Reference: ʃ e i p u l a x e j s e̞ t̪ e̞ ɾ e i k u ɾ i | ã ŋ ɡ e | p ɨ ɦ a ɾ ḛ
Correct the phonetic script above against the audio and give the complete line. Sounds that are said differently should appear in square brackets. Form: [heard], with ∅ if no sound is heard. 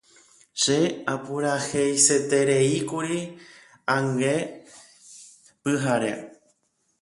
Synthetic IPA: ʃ e [a] p u [ɾ] a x e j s e̞ t̪ e̞ ɾ e i k u ɾ i | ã ŋ ɡ e | p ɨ ɦ a ɾ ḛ